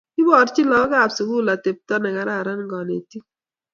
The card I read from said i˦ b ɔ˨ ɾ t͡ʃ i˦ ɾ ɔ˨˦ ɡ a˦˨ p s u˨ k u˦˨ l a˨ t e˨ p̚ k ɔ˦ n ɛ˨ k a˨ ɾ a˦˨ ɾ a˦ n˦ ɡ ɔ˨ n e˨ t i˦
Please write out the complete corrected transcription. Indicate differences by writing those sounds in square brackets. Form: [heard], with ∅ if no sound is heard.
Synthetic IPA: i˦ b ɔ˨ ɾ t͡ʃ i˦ [l] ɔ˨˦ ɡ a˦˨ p s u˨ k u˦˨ l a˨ t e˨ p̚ [t] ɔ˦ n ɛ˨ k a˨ ɾ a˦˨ ɾ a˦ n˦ ɡ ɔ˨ n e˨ t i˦